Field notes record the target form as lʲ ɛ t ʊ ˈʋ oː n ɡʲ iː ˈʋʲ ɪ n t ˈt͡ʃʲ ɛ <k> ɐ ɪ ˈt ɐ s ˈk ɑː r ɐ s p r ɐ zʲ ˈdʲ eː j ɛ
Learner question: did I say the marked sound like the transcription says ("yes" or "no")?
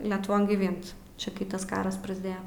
yes